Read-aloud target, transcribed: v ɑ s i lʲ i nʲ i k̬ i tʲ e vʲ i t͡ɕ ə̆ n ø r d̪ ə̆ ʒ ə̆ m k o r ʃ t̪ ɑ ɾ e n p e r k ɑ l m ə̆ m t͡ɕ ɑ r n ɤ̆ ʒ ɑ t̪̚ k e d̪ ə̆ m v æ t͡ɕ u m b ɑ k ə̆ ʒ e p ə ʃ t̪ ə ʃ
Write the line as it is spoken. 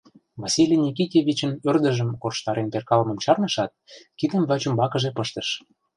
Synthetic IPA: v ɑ s i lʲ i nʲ i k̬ i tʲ e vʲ i t͡ɕ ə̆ n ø r d̪ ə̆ ʒ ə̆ m k o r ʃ t̪ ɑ ɾ e n p e r k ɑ l m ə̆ m t͡ɕ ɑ r n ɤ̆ ʃ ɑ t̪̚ k i d̪ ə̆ m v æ t͡ɕ u m b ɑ k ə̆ ʒ e p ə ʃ t̪ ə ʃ